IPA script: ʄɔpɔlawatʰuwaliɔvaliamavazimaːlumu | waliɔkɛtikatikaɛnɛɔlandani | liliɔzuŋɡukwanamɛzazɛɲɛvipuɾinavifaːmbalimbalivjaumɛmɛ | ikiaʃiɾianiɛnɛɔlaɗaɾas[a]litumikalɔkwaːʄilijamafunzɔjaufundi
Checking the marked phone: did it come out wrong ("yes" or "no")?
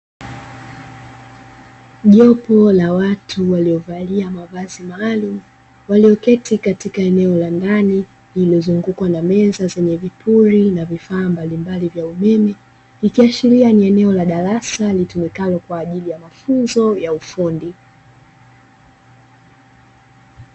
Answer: no